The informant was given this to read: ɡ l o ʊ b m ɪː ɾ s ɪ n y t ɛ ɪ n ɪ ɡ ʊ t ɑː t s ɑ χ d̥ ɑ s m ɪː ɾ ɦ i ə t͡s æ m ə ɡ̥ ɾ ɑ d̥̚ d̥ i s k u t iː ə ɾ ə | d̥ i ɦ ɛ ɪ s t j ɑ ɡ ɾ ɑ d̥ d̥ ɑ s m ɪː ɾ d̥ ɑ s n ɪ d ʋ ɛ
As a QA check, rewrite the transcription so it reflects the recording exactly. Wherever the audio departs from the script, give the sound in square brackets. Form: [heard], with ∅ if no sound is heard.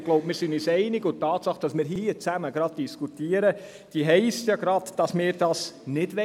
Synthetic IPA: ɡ l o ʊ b m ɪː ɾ s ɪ n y [s] ɛ ɪ n ɪ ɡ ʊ t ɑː t s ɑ χ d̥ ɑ s m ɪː ɾ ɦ i ə t͡s æ m ə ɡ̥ ɾ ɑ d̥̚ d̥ i s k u t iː ə ɾ ə | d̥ i ɦ ɛ ɪ s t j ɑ ɡ ɾ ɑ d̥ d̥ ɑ s m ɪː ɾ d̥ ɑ s n ɪ d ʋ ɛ